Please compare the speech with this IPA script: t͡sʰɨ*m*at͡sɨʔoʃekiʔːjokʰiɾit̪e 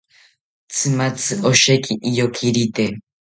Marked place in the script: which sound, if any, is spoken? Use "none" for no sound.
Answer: m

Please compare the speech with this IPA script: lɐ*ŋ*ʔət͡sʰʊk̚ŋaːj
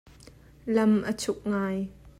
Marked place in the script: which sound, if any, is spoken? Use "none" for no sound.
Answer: m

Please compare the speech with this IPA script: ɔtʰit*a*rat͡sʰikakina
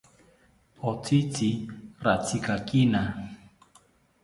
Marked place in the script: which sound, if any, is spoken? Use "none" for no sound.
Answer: i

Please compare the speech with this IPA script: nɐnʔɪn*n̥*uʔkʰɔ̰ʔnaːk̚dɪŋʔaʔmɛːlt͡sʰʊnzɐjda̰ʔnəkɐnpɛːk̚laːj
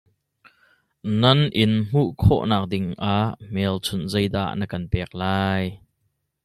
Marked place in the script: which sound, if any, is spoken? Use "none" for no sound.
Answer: m̥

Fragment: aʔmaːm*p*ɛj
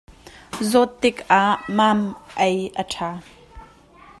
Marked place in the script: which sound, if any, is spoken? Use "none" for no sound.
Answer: ʔ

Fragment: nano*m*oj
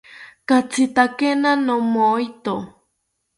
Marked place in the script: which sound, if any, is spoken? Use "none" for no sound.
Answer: m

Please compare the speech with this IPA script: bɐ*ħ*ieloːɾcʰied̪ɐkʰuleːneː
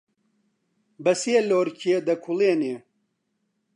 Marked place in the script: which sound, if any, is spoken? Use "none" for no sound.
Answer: s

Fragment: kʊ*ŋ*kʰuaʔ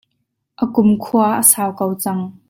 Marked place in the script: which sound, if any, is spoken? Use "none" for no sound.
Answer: m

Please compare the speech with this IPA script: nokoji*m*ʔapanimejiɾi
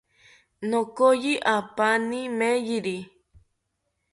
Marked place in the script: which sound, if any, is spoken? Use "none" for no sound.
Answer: none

